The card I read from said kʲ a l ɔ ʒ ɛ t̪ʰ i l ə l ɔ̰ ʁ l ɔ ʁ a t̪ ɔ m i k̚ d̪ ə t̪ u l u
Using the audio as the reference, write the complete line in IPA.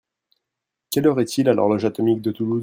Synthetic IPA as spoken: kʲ ɛ l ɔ ʁ ɛ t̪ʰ i l a l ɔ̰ ʁ l ɔ ʒ a t̪ ɔ m i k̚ d̪ ə t̪ u l u